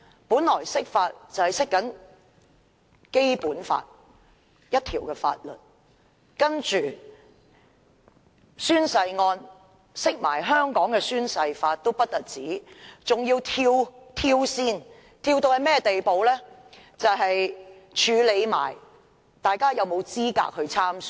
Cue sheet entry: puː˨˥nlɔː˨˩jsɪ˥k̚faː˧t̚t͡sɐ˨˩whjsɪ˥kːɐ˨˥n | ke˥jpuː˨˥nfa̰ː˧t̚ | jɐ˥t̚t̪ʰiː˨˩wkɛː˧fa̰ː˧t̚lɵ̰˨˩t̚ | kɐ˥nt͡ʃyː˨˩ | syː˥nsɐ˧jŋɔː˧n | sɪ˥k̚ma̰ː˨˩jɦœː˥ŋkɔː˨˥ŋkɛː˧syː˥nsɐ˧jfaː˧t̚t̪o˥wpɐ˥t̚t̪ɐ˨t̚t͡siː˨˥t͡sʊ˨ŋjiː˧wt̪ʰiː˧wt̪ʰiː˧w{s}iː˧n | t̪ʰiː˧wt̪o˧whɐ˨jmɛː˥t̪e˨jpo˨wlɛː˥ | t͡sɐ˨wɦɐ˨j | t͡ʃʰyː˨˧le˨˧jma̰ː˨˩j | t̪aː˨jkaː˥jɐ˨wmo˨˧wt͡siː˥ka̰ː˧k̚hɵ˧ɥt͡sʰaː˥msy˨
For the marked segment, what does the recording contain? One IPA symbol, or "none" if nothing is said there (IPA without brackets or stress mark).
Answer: s